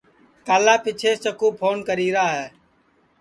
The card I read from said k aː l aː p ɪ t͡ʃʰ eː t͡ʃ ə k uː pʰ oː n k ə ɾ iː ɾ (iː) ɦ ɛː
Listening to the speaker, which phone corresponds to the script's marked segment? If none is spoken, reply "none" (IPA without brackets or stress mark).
aː